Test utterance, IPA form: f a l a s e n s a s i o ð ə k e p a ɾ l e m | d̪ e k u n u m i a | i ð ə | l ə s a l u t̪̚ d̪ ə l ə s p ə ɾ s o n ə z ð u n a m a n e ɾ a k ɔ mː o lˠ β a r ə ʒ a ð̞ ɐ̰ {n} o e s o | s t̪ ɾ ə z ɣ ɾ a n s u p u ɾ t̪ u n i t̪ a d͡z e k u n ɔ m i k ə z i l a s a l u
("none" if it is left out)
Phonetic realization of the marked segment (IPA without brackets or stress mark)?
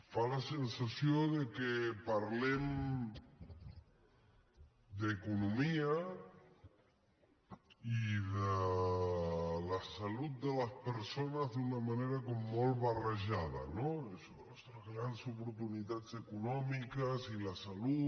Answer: n